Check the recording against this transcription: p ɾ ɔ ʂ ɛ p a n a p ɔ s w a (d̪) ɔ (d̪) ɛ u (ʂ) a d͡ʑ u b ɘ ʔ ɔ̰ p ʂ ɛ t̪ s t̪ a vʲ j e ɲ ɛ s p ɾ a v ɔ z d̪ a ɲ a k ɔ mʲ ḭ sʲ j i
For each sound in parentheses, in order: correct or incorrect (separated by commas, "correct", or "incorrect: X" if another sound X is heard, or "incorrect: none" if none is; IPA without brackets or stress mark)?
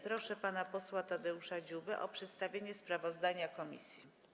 incorrect: t̪, correct, correct